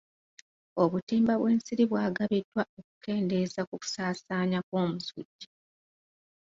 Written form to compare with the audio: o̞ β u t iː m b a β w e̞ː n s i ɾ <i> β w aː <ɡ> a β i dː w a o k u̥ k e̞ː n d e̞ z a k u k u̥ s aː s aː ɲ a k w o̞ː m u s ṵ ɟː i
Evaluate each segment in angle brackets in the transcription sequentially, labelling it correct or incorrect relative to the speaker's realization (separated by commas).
correct, correct